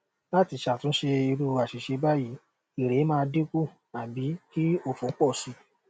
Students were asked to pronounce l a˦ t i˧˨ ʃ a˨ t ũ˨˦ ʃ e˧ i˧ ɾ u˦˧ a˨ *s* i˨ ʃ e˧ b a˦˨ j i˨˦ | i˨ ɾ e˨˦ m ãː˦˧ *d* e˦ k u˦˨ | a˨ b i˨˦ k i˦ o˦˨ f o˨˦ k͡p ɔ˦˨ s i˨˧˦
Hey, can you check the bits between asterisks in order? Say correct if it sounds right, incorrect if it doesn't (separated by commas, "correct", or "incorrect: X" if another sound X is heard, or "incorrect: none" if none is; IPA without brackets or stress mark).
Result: incorrect: ʃ, correct